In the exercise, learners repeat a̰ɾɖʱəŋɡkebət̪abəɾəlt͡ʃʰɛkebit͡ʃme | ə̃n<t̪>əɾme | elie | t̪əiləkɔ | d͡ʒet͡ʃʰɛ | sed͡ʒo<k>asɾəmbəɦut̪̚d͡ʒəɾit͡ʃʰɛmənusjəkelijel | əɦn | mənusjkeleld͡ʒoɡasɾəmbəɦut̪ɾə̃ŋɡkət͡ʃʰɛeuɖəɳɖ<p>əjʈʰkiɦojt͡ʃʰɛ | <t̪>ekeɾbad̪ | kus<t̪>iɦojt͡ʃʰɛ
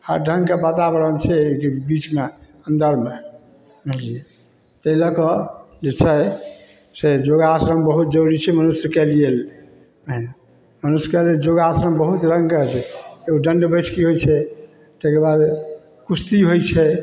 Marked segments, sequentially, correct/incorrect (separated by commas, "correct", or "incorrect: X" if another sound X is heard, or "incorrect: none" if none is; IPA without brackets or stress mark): incorrect: d̪, incorrect: ɡ, incorrect: b, correct, correct